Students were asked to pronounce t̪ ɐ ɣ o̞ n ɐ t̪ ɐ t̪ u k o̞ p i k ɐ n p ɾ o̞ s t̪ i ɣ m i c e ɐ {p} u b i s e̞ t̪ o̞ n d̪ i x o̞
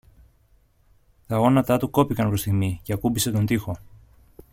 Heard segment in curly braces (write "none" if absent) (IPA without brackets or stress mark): k